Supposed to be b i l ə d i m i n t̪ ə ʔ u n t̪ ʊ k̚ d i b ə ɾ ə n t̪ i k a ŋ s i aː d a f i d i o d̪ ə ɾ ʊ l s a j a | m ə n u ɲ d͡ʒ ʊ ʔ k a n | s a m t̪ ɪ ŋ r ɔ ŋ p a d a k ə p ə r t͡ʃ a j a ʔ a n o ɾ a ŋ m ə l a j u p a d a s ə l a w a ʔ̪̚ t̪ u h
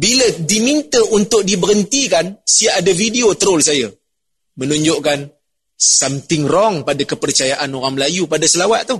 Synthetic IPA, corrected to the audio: b i l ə d i m i n t̪ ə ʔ u n t̪ ʊ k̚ d i b ə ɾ ə n t̪ i k a n s i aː d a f i d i o t̪ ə ɾ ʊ l s a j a | m ə n u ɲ d͡ʒ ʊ ʔ k a n | s a m t̪ ɪ ŋ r ɔ ŋ p a d a k ə p ə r t͡ʃ a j a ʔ a n o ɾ a ŋ m ə l a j u p a d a s ə l a w a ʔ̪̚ t̪ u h